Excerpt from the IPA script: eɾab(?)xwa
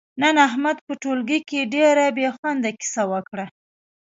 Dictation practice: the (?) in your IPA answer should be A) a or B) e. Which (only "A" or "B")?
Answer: B